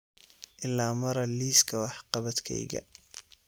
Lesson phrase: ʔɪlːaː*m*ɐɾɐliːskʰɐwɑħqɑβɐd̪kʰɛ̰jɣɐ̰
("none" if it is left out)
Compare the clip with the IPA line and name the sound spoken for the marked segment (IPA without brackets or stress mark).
m